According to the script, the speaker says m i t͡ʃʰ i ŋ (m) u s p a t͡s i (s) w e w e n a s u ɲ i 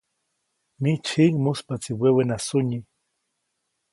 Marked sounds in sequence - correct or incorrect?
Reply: correct, incorrect: none

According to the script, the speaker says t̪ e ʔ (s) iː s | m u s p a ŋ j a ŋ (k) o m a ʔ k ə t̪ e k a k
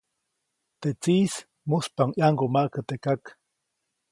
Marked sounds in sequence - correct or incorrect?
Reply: incorrect: t͡s, incorrect: ɡ

